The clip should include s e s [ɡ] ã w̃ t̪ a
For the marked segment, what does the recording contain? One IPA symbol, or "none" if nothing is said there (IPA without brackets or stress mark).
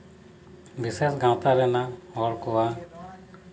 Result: ɡ